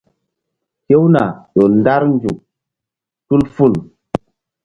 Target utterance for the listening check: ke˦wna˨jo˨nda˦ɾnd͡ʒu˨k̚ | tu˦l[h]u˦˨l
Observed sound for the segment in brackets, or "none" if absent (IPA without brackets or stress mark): f